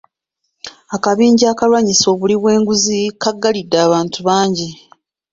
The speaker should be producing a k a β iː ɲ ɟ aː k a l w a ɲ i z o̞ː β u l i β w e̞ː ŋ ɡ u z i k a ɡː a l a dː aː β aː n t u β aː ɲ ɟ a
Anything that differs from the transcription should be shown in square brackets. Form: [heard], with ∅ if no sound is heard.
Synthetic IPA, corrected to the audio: a k a β iː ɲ ɟ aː k a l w a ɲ i [s] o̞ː β u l i β w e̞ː ŋ ɡ u z i k a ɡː a l [i] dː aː β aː n t u β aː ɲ ɟ [i]